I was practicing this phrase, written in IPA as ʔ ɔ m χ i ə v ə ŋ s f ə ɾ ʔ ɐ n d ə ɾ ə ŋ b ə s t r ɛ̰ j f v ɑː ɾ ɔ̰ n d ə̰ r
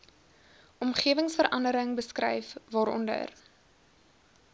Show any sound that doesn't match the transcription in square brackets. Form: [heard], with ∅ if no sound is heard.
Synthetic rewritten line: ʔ ɔ m χ i ə v ə ŋ s f ə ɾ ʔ ɐ n d ə ɾ ə ŋ b ə s [k] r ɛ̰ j f v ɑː ɾ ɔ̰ n d ə̰ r